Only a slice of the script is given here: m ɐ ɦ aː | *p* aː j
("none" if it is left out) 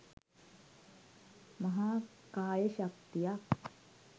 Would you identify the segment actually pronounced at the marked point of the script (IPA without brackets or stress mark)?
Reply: k